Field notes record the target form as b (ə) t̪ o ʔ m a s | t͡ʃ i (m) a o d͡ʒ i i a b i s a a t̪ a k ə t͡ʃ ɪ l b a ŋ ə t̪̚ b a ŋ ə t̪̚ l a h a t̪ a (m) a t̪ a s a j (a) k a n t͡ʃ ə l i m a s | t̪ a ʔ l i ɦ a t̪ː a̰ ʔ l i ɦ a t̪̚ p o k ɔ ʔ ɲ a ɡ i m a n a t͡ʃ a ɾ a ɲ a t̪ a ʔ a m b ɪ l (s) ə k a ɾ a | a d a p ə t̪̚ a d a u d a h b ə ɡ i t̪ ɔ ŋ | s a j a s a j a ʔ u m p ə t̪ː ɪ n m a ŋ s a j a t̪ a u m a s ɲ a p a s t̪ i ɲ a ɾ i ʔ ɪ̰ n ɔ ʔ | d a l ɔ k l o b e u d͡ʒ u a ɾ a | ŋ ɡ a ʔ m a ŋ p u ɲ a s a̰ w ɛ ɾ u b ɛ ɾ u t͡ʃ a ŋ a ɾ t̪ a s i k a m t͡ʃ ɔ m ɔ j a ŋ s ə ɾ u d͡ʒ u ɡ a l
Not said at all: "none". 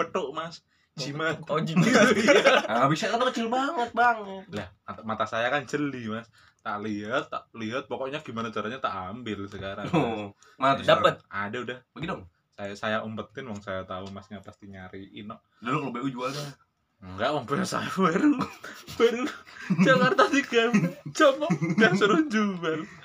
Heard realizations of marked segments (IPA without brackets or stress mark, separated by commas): ə, m, m, a, s